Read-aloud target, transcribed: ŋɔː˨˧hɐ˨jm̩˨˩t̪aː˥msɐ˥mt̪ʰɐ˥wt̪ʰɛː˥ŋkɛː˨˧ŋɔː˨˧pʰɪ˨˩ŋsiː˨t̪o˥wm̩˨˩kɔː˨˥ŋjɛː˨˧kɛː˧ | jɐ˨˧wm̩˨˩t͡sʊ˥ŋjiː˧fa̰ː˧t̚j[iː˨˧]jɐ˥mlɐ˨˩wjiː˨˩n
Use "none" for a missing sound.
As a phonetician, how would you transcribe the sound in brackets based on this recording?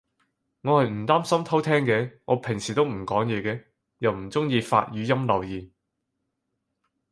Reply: yː˨˧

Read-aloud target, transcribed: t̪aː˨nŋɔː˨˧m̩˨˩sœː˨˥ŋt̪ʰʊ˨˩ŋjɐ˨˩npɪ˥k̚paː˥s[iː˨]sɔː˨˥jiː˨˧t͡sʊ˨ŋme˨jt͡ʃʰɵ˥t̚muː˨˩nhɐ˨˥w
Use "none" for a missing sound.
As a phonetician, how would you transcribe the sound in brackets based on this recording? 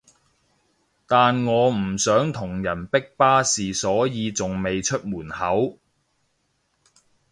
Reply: iː˨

